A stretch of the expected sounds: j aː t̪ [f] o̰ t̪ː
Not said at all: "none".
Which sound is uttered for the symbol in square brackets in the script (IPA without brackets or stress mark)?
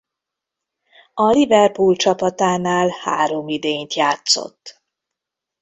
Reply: s